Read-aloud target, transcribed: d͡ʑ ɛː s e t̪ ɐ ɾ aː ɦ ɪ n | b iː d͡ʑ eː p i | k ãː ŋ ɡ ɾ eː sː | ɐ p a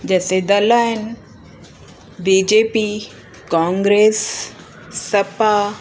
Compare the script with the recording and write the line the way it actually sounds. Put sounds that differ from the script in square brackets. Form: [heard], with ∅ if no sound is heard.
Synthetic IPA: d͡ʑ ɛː s e [d̪] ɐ [l] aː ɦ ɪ n | b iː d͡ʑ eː p i | k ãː ŋ ɡ ɾ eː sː | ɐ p a